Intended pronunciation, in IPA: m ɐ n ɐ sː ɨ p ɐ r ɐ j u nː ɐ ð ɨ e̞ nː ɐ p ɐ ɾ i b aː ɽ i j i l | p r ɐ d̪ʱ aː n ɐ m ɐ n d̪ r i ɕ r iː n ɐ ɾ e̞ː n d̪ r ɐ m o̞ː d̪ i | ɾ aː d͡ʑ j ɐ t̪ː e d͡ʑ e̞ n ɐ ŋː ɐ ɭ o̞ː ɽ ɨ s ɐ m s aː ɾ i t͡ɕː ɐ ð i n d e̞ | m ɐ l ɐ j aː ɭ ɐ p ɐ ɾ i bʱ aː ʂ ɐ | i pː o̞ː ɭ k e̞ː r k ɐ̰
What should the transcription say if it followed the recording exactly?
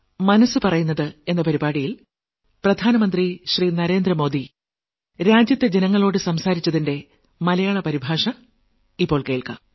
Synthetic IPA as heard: m ɐ n ɐ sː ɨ p ɐ r ɐ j u nː ɐ ð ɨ e̞ nː ɐ p ɐ ɾ i b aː ɽ i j i l | p r ɐ d̪ʱ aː n ɐ m ɐ n d̪ r i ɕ r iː n ɐ ɾ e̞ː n d̪ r ɐ m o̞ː d̪ i | ɾ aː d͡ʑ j ɐ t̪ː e d͡ʑ e̞ n ɐ ŋː ɐ ɭ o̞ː ɽ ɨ s ɐ m s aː ɾ i t͡ɕː ɐ ð i n d e̞ | m ɐ l ɐ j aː ɭ ɐ p ɐ ɾ i bʱ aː ʂ ɐ | i pː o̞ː ɭ k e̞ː ɭ k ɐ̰